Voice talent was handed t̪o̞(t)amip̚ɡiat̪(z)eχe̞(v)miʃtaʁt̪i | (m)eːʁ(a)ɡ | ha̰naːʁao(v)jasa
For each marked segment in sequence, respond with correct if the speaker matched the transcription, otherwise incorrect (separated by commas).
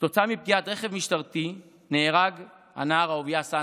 incorrect, incorrect, correct, incorrect, correct, correct